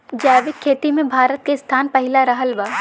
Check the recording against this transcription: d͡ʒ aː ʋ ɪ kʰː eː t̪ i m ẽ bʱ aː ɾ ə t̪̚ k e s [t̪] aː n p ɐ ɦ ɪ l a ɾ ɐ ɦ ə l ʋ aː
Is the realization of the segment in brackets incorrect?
yes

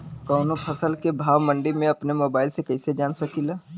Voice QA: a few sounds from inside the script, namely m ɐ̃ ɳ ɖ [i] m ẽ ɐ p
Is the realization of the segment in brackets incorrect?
no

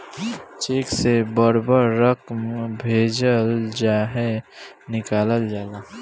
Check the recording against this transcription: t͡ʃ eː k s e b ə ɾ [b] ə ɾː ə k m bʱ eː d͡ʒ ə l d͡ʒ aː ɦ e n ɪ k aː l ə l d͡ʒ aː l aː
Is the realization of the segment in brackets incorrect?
no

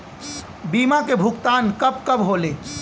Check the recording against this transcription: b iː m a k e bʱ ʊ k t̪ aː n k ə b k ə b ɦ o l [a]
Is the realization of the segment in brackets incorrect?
yes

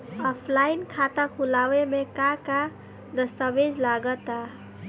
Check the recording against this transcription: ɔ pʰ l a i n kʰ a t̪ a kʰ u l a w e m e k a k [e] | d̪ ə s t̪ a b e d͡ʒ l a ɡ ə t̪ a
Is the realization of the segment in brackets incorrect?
yes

